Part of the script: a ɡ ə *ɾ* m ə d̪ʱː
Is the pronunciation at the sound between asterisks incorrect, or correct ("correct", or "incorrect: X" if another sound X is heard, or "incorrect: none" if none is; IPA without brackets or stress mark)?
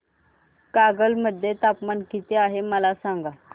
incorrect: l